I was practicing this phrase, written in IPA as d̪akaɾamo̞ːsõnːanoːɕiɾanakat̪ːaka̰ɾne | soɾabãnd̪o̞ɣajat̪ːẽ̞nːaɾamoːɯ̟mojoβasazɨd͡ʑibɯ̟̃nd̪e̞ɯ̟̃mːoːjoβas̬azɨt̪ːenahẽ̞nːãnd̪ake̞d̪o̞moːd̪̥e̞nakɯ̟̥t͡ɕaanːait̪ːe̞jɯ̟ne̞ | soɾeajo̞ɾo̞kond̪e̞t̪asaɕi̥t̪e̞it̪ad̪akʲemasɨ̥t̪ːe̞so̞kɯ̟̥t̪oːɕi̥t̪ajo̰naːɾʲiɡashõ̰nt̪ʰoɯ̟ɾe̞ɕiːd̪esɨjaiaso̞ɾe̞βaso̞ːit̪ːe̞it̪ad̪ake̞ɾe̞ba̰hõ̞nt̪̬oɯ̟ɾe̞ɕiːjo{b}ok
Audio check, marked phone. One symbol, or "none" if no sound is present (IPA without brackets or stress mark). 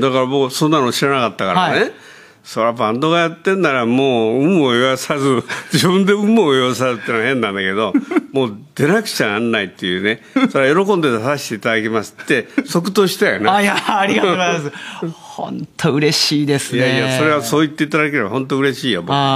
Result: b